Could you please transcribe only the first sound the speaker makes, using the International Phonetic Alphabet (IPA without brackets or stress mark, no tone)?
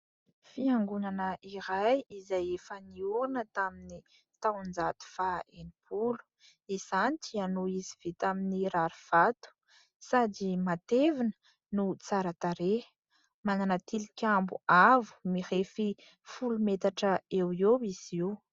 f